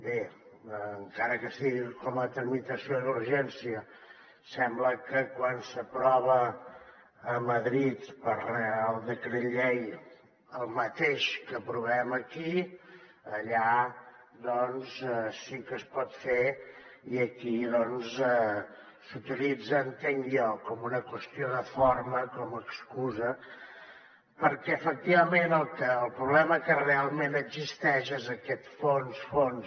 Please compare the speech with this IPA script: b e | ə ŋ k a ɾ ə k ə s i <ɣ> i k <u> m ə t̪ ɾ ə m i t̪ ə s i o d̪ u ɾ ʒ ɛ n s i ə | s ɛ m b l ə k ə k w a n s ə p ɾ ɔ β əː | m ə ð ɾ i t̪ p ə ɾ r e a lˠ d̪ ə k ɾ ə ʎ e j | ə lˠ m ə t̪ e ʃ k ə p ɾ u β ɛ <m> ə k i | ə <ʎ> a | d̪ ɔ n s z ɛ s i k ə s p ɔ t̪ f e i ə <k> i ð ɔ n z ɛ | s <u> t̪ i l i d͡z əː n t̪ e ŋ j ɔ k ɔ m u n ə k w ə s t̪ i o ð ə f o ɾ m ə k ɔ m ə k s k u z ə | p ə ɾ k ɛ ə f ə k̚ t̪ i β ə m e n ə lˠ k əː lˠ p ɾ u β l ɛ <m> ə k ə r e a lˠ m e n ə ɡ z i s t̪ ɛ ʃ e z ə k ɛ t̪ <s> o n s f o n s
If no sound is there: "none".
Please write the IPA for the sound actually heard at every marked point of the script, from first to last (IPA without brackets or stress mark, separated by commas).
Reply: ɣ, ɔ, m, ʎ, k, u, m, f